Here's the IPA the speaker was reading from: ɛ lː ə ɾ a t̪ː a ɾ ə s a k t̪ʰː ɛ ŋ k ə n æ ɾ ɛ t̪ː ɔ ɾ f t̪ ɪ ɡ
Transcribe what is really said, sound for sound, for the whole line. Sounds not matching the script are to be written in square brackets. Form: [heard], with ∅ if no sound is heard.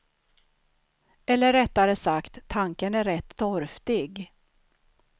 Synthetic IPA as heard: ɛ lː ə ɾ [ɛ] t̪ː a ɾ ə s a k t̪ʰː [a] ŋ k ə n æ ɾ ɛ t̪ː ɔ ɾ f t̪ ɪ ɡ